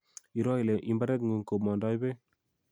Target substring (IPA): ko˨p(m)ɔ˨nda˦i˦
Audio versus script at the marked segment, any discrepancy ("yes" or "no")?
no